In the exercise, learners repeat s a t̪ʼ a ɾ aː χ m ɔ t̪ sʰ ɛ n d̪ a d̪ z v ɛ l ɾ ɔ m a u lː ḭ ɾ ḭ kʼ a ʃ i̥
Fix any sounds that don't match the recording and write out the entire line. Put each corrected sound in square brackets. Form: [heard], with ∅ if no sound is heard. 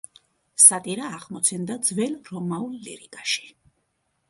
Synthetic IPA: s a t̪ʼ [i] ɾ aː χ m ɔ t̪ sʰ ɛ n d̪ a d̪ z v ɛ l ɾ ɔ m a u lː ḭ ɾ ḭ kʼ a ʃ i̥